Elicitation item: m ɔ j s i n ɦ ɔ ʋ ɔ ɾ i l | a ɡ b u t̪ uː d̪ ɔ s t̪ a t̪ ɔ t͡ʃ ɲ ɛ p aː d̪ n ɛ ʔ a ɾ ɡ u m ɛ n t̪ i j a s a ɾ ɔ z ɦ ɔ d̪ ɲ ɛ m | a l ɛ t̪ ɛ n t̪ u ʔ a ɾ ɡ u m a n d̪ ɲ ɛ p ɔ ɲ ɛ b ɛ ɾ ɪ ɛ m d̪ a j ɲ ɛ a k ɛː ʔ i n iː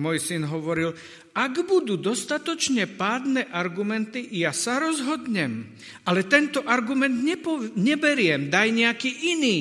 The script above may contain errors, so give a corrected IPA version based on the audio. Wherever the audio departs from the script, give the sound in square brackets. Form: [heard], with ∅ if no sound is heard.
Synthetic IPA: m ɔ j s i n ɦ ɔ ʋ ɔ ɾ i l | a ɡ b u [d̪] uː d̪ ɔ s t̪ a t̪ ɔ t͡ʃ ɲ ɛ p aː d̪ n ɛ ʔ a ɾ ɡ u m ɛ n t̪ i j a s a ɾ ɔ z ɦ ɔ d̪ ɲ ɛ m | a l ɛ t̪ ɛ n t̪ [ɔ] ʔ a ɾ ɡ u m [ɛ] n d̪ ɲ ɛ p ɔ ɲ ɛ b ɛ ɾ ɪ ɛ m d̪ a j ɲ ɛ a k [iː] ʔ i n iː